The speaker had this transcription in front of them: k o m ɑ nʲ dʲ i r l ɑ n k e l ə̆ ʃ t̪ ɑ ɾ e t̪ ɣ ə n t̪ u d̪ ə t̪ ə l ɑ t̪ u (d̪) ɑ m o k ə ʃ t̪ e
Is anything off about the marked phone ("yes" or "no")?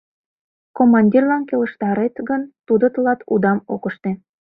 no